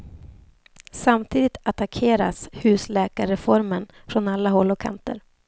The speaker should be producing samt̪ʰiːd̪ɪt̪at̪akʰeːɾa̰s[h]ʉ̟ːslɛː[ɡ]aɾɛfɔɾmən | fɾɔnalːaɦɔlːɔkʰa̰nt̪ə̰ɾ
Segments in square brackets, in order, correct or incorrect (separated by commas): correct, incorrect